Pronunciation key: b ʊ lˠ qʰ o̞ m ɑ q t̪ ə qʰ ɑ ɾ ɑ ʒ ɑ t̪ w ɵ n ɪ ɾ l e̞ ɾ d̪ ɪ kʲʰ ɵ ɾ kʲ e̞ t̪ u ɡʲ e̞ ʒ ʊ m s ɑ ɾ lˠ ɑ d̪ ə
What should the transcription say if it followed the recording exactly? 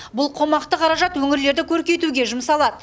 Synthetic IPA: b ʊ lˠ qʰ o̞ m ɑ q t̪ ə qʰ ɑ ɾ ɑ ʒ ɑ t̪ w ɵ ŋ ɪ ɾ l e̞ ɾ d̪ ɪ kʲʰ ɵ ɾ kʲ e̞ t̪ u ɡʲ e̞ ʒ ʊ m s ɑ lˠ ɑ d̪ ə